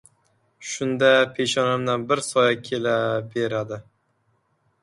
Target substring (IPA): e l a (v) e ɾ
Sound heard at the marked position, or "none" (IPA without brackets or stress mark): b